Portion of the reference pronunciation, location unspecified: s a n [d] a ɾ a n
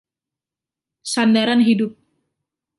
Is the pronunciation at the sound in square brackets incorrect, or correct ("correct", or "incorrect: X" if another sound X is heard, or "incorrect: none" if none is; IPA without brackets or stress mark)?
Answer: correct